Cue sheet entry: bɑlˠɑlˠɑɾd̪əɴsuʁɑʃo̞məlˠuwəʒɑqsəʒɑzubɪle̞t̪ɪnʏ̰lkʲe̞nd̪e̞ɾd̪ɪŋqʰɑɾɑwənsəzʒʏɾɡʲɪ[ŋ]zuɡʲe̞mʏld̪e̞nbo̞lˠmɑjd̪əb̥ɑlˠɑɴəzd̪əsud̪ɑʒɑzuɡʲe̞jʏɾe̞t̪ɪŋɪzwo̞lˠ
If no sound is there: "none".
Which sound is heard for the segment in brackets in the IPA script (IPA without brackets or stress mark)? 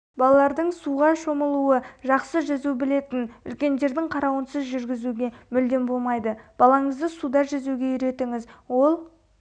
none